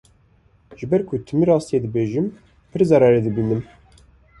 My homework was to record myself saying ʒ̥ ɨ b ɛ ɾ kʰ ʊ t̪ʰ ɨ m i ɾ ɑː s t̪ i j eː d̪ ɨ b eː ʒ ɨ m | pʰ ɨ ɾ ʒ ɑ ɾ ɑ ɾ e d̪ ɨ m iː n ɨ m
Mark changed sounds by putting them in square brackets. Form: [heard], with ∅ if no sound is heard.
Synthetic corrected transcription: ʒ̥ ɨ b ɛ ɾ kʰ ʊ t̪ʰ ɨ m i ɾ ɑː s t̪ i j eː d̪ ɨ b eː ʒ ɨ m | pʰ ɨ ɾ [z] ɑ ɾ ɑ ɾ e d̪ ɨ [b] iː n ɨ m